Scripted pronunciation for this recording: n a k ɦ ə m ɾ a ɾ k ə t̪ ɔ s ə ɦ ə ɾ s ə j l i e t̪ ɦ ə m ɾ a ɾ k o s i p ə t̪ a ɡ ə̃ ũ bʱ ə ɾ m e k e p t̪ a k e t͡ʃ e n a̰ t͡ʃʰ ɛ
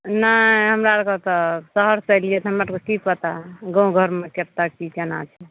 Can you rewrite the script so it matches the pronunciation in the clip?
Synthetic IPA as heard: n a ɦ ə m ɾ a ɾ k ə t̪ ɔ s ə ɦ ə ɾ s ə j l i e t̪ ɦ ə m ɾ a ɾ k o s i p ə t̪ a ɡ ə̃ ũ ɡʱ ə ɾ m e k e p t̪ a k i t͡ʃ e n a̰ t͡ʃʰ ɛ